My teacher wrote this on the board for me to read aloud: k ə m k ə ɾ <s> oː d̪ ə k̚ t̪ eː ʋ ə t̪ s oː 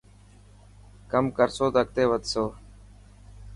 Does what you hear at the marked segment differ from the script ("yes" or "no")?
no